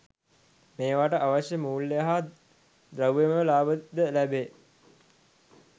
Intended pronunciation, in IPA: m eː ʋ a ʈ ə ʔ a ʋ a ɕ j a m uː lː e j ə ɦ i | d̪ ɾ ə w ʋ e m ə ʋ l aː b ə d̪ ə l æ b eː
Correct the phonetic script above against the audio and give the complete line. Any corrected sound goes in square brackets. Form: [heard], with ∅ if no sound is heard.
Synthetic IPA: m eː ʋ a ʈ ə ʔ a ʋ a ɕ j [ə] m uː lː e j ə ɦ [a] | d̪ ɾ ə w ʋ e m ə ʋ l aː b ə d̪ ə l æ b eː